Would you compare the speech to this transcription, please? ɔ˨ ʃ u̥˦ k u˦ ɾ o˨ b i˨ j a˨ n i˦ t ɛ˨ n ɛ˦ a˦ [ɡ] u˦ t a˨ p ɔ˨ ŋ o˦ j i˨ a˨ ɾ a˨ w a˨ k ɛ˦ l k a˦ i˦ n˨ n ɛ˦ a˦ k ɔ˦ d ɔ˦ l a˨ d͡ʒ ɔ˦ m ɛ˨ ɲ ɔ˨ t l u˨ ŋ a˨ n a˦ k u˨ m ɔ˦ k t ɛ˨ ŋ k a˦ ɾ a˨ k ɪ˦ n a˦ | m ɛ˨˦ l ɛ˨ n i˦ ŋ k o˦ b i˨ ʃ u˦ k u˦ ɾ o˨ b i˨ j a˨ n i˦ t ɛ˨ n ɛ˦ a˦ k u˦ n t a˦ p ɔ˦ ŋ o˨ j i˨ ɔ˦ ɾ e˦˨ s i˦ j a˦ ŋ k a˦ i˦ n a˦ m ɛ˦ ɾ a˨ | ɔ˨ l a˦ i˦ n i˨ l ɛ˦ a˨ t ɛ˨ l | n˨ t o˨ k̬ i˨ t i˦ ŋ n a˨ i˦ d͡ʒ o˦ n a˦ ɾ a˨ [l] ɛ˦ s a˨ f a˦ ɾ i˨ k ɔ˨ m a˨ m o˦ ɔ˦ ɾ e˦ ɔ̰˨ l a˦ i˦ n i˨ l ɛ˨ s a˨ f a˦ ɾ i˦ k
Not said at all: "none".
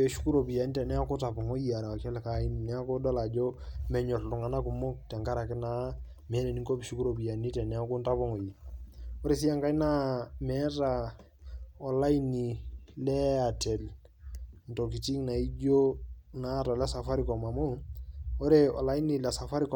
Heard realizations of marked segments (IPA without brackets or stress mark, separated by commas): k, l